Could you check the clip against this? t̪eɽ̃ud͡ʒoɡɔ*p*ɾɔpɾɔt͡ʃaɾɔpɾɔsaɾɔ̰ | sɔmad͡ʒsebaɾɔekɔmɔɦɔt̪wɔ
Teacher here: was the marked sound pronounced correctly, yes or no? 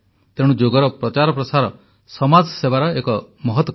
no